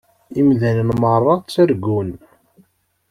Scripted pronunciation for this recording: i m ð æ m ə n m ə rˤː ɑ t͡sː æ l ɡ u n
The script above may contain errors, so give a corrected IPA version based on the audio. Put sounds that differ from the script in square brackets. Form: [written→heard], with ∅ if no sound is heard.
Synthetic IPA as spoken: i m ð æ [m→n] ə n m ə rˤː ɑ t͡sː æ [l→ɾ] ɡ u n